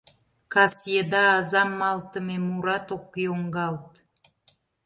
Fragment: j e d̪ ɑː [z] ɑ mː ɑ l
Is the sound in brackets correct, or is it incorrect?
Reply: correct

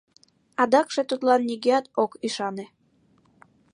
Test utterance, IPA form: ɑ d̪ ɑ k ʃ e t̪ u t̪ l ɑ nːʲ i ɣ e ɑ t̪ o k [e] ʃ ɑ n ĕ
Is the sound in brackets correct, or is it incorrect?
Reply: incorrect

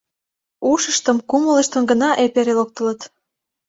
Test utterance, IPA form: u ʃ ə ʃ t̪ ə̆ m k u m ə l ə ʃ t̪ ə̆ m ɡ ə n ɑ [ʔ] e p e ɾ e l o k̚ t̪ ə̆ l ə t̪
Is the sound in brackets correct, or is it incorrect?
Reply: correct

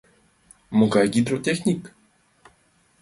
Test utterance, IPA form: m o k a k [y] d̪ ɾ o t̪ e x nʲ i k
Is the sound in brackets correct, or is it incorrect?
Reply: incorrect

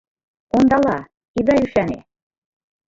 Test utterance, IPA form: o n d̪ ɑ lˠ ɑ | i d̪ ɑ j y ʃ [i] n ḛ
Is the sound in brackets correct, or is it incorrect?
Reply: incorrect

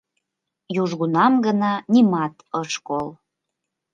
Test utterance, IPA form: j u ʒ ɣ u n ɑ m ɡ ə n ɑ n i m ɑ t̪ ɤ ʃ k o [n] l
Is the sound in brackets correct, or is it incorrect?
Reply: incorrect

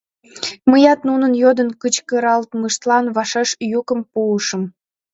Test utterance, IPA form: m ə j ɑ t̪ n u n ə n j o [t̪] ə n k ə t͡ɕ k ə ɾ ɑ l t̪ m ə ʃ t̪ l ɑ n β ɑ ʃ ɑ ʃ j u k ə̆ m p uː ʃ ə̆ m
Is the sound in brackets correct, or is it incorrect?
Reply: incorrect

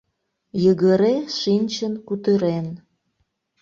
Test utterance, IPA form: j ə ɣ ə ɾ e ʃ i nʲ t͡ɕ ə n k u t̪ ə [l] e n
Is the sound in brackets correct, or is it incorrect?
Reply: incorrect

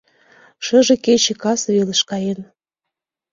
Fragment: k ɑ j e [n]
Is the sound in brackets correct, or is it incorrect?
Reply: correct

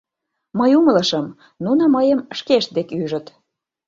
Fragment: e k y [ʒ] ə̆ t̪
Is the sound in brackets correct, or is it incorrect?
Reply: correct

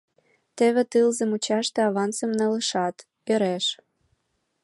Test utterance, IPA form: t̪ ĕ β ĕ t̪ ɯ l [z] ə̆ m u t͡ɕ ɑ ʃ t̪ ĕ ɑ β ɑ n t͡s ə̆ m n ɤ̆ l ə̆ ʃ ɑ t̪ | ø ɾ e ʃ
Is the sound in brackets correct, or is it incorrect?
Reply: correct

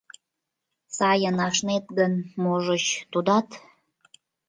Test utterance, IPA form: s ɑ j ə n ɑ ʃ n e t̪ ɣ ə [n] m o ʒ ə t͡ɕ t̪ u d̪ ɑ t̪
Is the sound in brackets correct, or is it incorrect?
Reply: correct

